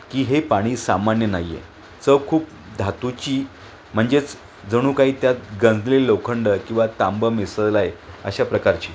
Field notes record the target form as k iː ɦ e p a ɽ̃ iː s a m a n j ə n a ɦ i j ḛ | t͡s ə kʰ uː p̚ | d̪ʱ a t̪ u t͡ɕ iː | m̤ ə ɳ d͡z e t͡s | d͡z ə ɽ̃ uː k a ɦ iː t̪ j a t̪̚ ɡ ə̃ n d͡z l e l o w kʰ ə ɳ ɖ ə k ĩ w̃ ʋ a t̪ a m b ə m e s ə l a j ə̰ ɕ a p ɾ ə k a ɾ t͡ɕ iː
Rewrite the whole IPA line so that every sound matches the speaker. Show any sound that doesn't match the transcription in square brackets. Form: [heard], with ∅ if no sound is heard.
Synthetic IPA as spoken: k iː ɦ e p a ɽ̃ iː s a m a n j ə n a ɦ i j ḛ | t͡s ə kʰ uː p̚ | d̪ʱ a t̪ u t͡ɕ iː | m̤ ə ɳ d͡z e t͡s | d͡z ə ɽ̃ uː k a ɦ iː t̪ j a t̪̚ ɡ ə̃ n d͡z l e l o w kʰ ə ɳ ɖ ə k ĩ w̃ ʋ a t̪ a m b ə m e s ə l a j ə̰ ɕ a p ɾ ə k a ɾ t͡ɕ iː